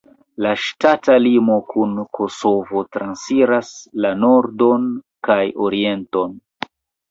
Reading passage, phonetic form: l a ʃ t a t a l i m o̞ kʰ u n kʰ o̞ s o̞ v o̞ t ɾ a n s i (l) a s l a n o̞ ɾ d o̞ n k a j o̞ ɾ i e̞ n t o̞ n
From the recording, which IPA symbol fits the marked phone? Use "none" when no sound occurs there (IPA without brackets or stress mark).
ɾ